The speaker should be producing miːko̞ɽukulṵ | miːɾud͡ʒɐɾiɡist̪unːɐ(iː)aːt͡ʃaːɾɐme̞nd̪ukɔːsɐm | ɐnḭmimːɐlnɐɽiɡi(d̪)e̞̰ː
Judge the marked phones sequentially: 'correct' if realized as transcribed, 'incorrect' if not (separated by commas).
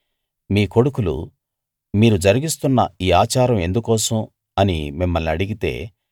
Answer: correct, incorrect